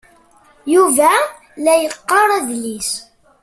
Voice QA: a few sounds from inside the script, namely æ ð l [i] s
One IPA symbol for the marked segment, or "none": i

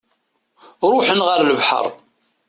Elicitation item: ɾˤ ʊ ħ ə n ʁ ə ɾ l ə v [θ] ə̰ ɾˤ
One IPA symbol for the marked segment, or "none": ħ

